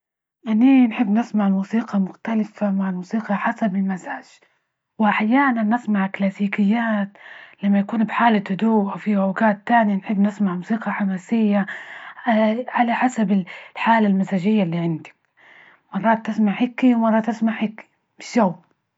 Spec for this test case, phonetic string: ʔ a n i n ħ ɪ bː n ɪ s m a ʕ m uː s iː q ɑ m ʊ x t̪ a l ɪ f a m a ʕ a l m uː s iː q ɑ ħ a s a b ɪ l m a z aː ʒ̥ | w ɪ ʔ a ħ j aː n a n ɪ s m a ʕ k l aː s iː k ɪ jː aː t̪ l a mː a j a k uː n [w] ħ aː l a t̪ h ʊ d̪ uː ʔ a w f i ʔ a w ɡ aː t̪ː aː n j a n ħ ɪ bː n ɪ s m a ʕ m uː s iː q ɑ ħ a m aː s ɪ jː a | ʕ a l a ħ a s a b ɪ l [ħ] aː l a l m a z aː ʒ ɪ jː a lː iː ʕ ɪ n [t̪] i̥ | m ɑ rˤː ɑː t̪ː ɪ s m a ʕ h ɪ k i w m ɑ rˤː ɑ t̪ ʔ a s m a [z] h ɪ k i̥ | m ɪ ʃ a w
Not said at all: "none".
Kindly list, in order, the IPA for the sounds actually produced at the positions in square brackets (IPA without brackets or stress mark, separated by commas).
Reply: b, ħ, d̪, ʕ